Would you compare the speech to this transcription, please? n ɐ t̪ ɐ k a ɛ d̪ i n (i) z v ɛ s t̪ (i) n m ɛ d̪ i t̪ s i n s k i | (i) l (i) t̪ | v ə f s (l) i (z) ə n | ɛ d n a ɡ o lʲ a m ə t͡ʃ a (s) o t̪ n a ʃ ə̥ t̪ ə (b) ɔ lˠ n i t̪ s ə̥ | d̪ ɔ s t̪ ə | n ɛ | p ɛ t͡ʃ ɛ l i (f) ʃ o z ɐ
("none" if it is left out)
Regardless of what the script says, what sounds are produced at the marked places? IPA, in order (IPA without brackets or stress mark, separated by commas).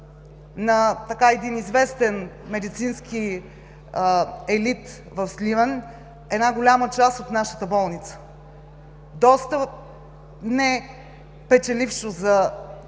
i, ɛ, ɛ, i, l, v, s, b, f